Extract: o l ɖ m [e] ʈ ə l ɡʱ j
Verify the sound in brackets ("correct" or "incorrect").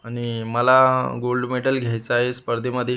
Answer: correct